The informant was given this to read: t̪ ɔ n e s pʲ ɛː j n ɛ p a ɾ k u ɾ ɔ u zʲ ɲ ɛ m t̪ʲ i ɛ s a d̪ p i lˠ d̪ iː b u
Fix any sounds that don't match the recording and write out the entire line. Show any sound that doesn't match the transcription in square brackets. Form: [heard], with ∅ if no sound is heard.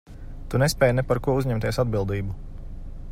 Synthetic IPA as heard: t̪ [u] n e s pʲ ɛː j n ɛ p a ɾ k u [∅] ɔ u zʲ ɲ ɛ m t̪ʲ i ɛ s a d̪ [b] i lˠ d̪ iː b u